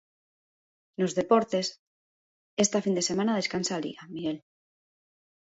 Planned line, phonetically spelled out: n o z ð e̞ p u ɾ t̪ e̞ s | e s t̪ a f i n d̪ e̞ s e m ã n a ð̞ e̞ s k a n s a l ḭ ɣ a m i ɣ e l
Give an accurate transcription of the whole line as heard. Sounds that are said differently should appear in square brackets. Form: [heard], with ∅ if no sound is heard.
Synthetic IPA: n o z ð e̞ p [o] ɾ t̪ e̞ s | e s t̪ a f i n d̪ e̞ s e m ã n a ð̞ e̞ s k a n s a l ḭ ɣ a m i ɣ e l

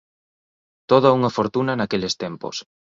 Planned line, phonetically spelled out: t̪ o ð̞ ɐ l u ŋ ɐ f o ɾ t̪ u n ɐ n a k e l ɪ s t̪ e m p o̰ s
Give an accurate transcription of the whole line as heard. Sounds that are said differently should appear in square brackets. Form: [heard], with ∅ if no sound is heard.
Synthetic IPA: t̪ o ð̞ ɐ [∅] u ŋ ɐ f o ɾ t̪ u n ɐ n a k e l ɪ s t̪ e m p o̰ s

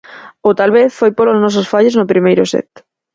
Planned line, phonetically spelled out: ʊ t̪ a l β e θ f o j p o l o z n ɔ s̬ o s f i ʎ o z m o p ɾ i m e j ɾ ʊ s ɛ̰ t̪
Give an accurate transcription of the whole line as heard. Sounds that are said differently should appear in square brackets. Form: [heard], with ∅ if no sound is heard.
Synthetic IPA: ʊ t̪ a l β e θ f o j p o l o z n ɔ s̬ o s f [a] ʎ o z [n] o p ɾ i m e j ɾ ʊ s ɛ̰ t̪

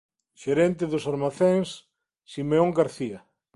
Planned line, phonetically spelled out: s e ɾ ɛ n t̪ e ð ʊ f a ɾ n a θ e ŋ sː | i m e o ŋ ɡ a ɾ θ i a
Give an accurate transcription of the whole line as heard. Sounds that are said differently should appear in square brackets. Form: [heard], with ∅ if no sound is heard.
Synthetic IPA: [ʃ] e ɾ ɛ n t̪ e ð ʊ [s] a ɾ [m] a θ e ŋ sː | i m e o ŋ ɡ a ɾ θ i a

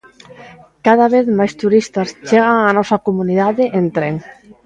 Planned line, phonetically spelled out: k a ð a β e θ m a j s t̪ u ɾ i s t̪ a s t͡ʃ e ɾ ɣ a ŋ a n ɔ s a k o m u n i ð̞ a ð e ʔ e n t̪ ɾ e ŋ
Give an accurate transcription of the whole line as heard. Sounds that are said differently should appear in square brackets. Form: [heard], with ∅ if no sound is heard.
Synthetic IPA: k a ð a β e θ m a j s t̪ u ɾ i s t̪ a s t͡ʃ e [∅] ɣ a ŋ a n ɔ s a k o m u n i ð̞ a ð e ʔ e n t̪ ɾ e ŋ

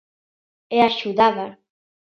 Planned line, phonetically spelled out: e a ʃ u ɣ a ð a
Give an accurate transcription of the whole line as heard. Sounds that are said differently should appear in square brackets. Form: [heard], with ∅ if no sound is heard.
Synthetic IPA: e a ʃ u [ð] a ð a

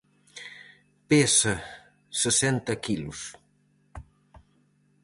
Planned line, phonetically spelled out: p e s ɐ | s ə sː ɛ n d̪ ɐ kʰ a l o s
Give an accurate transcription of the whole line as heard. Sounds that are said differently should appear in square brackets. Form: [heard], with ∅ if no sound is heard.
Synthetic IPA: p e s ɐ | s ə [s] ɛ n [t̪] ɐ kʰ [i] l [u] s

